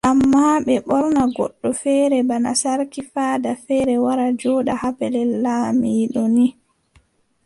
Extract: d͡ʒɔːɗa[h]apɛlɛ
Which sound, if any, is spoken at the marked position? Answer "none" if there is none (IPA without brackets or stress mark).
h